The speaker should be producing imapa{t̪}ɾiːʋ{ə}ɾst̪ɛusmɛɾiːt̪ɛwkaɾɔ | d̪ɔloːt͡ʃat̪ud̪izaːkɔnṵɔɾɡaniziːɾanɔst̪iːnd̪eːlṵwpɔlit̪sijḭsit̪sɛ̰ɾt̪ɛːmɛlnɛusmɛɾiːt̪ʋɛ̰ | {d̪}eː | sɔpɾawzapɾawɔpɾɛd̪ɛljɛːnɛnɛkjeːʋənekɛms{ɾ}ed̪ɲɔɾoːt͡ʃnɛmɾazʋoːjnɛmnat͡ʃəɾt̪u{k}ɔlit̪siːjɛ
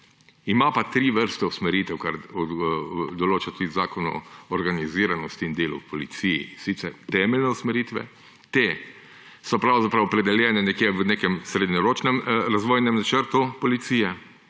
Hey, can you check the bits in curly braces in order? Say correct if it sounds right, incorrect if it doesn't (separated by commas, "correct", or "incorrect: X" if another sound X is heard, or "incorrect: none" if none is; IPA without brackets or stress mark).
correct, correct, incorrect: t̪, correct, incorrect: p